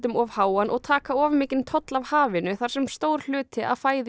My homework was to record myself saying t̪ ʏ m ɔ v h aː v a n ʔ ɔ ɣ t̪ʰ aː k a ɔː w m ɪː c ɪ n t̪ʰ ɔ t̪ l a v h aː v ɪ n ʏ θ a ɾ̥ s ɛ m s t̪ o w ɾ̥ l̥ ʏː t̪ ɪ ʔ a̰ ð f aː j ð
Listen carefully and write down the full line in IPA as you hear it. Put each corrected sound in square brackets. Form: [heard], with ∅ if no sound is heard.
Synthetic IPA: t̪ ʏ m ɔ v h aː [w] a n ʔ ɔ ɣ t̪ʰ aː k a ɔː [v] m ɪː c ɪ n t̪ʰ ɔ t̪ l a v h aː v ɪ n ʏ θ a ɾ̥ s ɛ m s t̪ o w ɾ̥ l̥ ʏː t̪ ɪ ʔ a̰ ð f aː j ð